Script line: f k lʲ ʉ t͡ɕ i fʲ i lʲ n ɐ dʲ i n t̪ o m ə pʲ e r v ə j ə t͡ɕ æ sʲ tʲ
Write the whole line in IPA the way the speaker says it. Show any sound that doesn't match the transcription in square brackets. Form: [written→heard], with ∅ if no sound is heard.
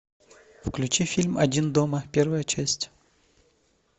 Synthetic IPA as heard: f k lʲ ʉ t͡ɕ i fʲ i lʲ [n→m] ɐ dʲ i n [t̪→d̪] o m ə pʲ e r v ə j ə t͡ɕ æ sʲ tʲ